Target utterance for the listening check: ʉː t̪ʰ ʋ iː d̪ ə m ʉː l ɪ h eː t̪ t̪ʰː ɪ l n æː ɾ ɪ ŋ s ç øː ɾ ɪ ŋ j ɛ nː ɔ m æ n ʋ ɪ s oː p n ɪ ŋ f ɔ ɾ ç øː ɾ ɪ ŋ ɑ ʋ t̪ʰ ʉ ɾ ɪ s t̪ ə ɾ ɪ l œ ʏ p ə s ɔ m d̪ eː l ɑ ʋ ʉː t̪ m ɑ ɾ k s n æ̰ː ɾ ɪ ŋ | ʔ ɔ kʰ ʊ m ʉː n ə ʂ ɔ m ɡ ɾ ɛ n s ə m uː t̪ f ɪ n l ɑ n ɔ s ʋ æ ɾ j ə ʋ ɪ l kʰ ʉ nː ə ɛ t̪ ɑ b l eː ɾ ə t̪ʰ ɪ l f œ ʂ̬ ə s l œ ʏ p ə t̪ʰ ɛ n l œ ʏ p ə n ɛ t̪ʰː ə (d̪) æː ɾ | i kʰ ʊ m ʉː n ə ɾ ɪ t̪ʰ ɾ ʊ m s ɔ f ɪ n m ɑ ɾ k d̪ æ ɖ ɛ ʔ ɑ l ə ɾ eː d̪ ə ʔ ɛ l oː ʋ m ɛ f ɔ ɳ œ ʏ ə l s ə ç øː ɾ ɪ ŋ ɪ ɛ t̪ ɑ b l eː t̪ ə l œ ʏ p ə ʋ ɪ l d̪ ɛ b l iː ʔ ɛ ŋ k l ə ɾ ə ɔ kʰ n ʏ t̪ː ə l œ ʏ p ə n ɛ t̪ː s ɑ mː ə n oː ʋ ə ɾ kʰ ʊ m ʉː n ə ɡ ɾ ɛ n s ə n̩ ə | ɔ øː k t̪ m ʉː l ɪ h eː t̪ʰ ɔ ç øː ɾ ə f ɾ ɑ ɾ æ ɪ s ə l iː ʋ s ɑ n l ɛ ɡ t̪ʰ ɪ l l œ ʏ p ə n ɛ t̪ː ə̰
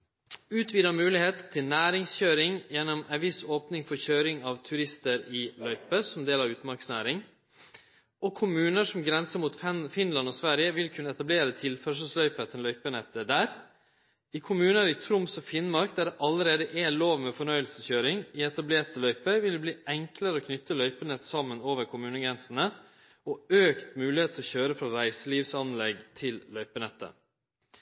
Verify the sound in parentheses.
correct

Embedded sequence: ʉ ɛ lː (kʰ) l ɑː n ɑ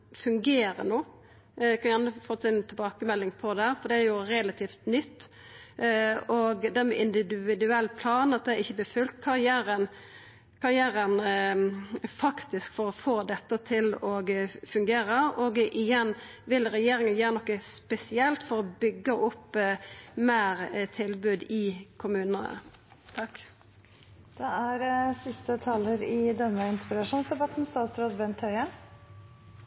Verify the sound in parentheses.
incorrect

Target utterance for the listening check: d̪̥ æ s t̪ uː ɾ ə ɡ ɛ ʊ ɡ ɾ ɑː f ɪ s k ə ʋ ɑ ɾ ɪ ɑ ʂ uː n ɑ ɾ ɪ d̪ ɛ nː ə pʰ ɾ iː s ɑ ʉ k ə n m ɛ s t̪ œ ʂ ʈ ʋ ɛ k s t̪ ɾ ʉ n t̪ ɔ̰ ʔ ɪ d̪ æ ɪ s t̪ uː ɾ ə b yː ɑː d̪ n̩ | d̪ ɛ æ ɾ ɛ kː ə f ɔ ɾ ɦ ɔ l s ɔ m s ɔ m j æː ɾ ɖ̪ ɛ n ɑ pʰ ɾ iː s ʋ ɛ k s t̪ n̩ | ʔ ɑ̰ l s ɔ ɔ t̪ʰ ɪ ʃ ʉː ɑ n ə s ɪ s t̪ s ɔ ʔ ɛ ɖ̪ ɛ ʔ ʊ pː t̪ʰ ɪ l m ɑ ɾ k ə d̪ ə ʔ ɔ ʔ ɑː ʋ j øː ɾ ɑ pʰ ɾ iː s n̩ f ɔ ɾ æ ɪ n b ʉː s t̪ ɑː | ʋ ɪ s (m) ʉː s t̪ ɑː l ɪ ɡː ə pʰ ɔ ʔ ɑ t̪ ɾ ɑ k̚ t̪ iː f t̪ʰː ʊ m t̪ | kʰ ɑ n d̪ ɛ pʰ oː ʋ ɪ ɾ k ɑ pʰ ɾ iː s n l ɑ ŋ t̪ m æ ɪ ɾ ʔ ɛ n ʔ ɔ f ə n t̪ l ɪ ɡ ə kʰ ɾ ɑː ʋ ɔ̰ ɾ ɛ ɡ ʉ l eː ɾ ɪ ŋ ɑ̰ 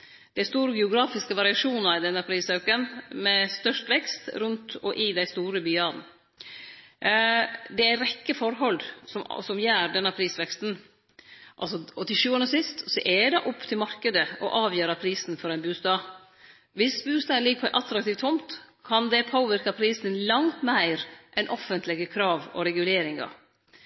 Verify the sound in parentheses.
incorrect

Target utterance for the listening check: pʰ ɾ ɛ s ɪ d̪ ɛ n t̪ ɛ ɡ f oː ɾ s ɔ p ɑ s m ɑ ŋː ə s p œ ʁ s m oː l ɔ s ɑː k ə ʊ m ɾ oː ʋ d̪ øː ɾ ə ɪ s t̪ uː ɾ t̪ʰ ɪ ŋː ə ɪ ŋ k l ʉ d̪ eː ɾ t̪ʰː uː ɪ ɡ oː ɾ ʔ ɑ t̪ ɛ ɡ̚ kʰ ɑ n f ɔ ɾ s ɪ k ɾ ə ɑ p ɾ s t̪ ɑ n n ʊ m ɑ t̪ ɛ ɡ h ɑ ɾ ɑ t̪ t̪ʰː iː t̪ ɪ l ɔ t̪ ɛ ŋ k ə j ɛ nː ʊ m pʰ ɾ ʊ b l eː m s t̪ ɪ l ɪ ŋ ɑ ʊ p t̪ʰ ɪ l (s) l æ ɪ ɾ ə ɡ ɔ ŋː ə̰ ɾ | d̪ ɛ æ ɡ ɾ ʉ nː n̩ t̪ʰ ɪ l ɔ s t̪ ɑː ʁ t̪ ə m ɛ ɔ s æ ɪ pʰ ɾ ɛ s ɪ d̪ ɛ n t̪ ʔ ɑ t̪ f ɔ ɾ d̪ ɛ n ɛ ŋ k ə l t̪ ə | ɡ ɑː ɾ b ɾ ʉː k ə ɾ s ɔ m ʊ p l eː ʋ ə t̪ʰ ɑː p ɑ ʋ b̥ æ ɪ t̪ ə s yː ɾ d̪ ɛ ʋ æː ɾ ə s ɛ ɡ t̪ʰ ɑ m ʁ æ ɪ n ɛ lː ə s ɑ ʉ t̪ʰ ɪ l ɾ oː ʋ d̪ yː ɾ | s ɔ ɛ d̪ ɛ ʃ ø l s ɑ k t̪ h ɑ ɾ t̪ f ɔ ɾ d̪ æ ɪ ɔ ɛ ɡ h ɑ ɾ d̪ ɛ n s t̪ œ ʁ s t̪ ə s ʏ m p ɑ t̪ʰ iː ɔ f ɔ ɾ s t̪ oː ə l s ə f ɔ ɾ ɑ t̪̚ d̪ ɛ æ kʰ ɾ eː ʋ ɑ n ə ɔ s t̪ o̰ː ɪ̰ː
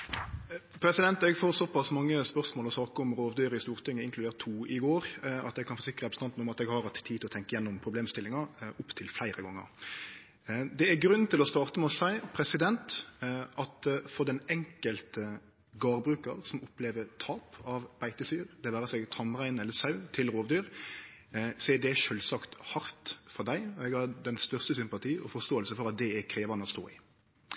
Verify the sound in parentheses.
incorrect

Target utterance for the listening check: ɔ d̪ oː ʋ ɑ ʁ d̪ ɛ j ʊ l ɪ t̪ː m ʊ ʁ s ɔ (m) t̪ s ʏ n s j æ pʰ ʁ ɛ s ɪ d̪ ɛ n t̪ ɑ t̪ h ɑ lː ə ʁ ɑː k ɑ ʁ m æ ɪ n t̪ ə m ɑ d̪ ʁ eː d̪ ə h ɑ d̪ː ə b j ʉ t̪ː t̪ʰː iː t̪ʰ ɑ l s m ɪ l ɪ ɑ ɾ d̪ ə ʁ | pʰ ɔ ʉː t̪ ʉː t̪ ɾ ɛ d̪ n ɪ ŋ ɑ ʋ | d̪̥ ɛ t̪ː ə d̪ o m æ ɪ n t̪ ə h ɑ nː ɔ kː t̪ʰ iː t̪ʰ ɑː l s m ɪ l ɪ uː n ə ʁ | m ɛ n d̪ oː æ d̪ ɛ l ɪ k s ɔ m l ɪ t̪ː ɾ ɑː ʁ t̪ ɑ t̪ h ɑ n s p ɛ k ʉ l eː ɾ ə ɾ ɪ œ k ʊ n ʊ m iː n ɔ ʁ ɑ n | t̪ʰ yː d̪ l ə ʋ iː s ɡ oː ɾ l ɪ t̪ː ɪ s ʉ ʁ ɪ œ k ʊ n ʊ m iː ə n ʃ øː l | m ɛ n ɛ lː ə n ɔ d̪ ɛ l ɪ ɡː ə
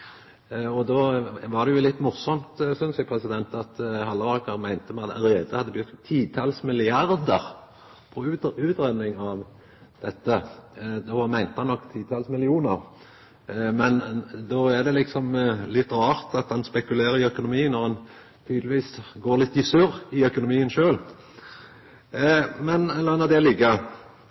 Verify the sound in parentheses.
correct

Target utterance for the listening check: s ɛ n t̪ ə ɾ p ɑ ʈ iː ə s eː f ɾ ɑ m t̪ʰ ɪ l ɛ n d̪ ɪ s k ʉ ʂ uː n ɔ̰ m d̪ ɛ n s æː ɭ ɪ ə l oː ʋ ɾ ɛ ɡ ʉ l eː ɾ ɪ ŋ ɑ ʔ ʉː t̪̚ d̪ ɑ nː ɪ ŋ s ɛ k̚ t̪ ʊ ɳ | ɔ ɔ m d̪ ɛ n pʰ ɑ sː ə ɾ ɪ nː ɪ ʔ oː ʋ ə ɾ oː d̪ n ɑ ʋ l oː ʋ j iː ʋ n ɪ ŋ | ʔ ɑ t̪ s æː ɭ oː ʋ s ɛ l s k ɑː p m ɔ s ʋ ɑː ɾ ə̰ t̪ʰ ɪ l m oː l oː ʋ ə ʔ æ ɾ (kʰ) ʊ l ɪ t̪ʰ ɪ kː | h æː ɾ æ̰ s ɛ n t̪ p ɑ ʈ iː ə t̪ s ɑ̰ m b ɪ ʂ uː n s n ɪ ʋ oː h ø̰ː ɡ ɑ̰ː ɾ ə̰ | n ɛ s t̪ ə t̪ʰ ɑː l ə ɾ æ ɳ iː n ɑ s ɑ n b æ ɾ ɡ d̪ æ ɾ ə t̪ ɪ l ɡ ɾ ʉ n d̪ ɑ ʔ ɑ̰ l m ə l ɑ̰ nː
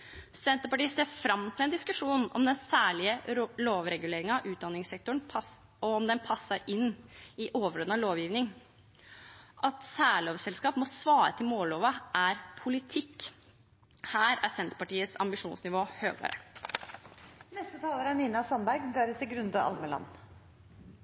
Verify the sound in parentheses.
incorrect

